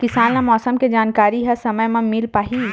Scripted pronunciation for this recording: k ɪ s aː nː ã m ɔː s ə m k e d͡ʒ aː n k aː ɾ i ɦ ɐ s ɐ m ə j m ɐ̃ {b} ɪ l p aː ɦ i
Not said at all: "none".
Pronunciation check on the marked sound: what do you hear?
m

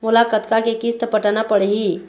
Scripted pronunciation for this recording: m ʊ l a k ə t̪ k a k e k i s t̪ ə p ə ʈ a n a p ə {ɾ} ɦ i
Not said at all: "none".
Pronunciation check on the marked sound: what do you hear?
ɽ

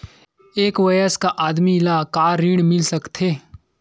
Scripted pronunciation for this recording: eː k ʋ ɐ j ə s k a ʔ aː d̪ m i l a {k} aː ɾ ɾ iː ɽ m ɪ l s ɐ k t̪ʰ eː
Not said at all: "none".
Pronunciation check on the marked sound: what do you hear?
k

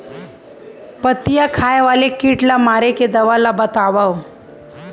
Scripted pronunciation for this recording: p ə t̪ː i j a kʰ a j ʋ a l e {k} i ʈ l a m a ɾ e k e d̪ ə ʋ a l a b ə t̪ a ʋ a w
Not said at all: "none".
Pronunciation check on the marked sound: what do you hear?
k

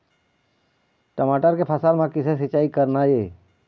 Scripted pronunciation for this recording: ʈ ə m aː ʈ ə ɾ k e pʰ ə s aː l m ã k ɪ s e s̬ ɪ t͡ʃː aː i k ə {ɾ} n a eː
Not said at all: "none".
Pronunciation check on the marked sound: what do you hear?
ɾ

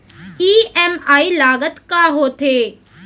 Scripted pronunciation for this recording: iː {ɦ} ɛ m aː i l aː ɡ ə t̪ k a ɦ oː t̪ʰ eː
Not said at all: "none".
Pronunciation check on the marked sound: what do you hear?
none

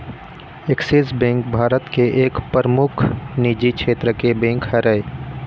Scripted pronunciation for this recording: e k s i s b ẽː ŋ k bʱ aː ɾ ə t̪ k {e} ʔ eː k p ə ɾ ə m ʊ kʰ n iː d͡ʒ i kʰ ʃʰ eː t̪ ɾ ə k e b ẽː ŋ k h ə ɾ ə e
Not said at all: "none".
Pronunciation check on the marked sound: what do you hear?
e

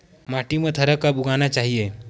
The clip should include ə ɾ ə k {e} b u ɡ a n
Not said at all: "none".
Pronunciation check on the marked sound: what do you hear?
a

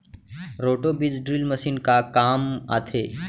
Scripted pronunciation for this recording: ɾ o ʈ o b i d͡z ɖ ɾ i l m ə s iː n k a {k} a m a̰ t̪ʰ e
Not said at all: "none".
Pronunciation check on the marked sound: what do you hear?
k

